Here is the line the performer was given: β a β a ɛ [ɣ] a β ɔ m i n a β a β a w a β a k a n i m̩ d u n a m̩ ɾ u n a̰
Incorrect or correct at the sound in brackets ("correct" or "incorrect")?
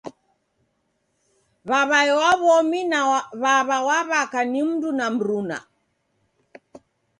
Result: incorrect